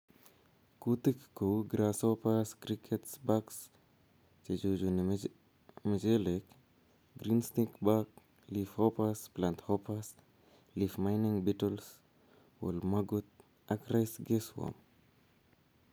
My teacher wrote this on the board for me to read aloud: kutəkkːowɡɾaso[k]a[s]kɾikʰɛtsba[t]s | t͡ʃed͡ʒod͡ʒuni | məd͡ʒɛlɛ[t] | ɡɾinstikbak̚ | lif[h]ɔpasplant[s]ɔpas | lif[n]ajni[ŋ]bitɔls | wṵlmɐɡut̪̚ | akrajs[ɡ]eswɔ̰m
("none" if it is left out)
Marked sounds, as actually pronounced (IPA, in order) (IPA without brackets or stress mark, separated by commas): p, s, k, k, h, h, m, ŋ, ɡ